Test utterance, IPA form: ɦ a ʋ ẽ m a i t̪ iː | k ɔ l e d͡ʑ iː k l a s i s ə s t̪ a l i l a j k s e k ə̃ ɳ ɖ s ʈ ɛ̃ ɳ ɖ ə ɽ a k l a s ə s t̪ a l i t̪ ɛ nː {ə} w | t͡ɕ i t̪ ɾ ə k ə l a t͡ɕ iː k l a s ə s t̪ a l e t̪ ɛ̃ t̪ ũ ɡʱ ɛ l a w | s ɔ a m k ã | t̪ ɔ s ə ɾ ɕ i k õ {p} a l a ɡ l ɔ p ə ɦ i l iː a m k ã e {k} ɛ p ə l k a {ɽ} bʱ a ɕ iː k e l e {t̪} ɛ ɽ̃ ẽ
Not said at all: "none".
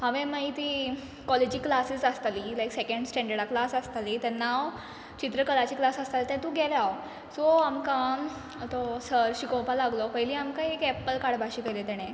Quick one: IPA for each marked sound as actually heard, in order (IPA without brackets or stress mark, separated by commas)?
a, p, k, ɽ, t̪